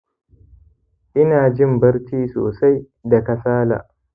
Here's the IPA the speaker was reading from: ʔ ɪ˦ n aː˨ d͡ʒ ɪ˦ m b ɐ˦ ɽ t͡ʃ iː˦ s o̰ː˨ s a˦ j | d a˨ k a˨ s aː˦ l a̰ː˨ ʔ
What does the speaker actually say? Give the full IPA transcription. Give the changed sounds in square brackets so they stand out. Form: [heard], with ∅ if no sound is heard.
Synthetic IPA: ʔ ɪ˦ n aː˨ d͡ʒ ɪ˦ m b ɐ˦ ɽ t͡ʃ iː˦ s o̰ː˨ s a˦ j | d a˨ k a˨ s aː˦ l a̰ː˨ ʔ